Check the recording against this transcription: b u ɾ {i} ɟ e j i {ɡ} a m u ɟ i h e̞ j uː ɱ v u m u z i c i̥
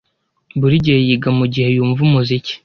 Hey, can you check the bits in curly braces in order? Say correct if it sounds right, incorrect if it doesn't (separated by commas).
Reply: correct, correct